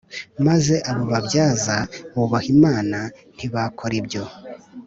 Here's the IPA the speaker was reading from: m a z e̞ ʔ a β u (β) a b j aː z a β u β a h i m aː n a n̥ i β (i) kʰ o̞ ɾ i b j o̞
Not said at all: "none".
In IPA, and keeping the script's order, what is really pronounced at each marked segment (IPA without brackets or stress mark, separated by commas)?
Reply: β, a